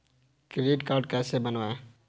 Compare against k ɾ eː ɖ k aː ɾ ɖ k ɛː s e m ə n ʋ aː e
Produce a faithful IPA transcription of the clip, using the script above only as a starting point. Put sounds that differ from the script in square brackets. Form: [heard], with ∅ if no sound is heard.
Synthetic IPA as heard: k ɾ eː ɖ k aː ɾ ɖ k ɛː s e [b] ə n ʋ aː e